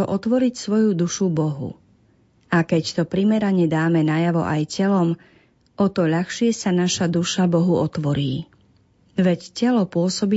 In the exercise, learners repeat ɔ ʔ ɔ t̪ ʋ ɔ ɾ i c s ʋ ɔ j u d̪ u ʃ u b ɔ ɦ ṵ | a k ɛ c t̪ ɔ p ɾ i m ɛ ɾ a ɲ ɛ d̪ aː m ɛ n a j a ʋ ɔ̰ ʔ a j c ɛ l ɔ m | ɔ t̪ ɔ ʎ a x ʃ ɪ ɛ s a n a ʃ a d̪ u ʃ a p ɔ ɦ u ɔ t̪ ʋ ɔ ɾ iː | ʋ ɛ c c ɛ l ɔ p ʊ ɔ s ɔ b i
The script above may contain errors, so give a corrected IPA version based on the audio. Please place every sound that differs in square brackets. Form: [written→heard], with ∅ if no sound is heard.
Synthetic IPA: ɔ ʔ ɔ t̪ ʋ ɔ ɾ i c s ʋ ɔ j u d̪ u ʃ u b ɔ ɦ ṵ | a k ɛ c t̪ ɔ p ɾ i m ɛ ɾ a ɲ ɛ d̪ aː m ɛ n a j a ʋ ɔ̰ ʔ a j c ɛ l ɔ m | ɔ t̪ ɔ ʎ a x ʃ ɪ ɛ s a n a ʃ a d̪ u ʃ a [p→b] ɔ ɦ u ɔ t̪ ʋ ɔ ɾ iː | ʋ ɛ c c ɛ l ɔ p ʊ ɔ s ɔ b i